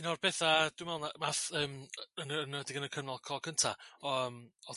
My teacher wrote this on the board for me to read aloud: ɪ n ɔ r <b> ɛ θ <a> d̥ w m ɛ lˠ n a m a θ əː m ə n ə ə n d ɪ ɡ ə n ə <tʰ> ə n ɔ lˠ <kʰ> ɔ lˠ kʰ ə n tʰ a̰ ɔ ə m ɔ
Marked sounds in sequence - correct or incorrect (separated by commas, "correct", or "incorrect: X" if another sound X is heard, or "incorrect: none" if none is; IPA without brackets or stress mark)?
correct, correct, incorrect: kʰ, correct